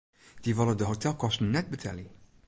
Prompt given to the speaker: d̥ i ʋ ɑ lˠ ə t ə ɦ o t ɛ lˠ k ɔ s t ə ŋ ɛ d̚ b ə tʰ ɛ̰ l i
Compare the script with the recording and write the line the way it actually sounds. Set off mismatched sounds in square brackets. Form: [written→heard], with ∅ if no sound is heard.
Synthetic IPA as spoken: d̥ i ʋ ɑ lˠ ə [t→d] ə ɦ o t ɛ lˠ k ɔ s t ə [ŋ→n] ɛ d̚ b ə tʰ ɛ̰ l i